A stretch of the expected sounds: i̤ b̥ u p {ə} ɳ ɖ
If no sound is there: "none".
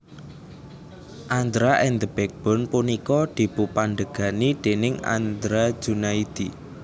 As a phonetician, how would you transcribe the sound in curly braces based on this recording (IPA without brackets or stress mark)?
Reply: a